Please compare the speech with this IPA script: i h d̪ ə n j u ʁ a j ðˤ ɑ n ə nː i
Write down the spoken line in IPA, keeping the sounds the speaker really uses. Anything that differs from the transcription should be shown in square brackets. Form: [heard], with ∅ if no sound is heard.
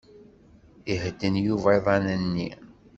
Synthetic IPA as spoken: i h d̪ ə n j u [v] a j ðˤ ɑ n ə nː i